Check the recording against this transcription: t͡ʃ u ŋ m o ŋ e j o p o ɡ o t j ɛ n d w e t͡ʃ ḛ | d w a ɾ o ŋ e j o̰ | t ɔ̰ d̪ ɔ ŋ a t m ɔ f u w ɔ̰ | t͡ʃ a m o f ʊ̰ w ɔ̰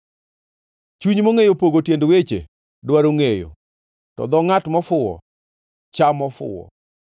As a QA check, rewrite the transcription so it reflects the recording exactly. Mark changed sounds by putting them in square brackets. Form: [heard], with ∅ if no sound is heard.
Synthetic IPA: t͡ʃ u [ɲ] m o ŋ e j o p o ɡ o t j [e] n d w e t͡ʃ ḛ | d w a ɾ o ŋ e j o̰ | t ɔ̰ d̪ ɔ ŋ a t m ɔ f [ʊ] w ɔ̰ | t͡ʃ a m [ɔ] f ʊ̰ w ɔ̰